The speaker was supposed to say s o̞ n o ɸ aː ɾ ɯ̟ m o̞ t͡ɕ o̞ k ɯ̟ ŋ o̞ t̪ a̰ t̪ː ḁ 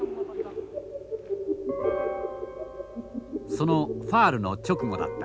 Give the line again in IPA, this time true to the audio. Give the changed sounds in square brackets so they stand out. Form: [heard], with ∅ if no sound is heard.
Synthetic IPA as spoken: s o̞ n o ɸ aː ɾ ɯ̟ [n] o̞ t͡ɕ o̞ k ɯ̟ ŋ o̞ [d̪] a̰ t̪ː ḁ